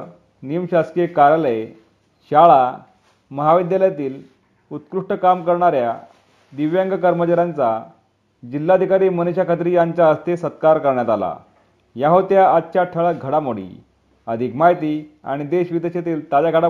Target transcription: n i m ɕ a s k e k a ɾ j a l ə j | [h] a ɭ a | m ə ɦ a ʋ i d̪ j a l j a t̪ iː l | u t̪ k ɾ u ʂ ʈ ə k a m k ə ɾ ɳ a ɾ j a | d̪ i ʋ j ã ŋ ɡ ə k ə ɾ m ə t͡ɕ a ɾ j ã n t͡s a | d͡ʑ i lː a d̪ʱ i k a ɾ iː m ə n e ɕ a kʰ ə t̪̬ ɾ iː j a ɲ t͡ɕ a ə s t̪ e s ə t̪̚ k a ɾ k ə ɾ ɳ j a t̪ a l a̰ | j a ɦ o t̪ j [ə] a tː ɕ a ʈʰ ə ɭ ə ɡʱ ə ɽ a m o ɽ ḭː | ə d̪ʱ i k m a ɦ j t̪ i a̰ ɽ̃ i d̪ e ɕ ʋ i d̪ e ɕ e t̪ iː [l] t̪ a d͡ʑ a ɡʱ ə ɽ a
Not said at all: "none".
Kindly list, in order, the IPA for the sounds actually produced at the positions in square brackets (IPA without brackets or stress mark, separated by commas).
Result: ɕ, a, l